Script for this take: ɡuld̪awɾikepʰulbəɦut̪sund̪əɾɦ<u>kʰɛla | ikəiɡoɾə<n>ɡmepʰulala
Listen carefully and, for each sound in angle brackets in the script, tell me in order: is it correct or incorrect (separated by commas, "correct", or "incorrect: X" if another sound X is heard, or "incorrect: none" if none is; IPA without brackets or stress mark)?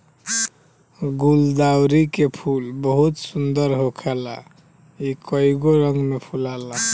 incorrect: o, incorrect: ŋ